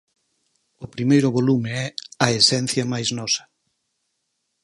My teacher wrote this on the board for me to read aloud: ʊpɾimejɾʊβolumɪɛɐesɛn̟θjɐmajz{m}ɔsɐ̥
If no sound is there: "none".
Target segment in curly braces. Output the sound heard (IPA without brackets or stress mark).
n